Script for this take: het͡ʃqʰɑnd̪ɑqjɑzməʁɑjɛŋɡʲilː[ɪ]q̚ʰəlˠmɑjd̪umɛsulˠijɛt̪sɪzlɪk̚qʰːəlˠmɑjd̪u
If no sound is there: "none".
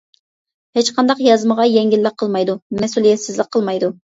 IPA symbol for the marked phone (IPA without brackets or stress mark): ɪ